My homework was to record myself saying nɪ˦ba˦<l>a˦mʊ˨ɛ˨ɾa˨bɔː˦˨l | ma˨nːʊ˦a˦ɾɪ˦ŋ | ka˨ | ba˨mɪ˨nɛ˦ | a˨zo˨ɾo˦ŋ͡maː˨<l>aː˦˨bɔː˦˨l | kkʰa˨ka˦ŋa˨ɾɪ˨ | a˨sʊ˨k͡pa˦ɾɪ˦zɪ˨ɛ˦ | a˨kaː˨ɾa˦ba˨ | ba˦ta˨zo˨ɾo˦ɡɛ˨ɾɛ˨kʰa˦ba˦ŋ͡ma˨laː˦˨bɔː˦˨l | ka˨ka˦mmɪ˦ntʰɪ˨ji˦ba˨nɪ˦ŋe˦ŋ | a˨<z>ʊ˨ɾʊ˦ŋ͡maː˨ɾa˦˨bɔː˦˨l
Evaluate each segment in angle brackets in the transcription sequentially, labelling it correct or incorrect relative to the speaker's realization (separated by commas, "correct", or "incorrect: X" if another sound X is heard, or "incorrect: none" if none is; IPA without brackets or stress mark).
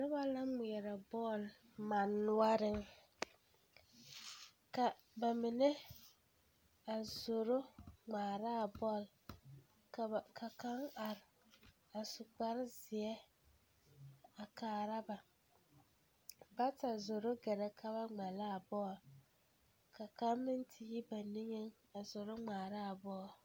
correct, incorrect: ɾ, correct